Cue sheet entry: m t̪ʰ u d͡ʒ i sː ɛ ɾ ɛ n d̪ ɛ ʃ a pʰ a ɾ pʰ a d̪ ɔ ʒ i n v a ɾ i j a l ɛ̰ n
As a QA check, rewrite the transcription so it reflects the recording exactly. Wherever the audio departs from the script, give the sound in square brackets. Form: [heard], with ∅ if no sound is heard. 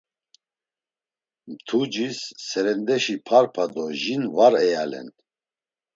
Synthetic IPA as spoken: m t̪ʰ u d͡ʒ i sː ɛ ɾ ɛ n d̪ ɛ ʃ [i] pʰ a ɾ pʰ a d̪ ɔ ʒ i n v a ɾ [ɛ] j a l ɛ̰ n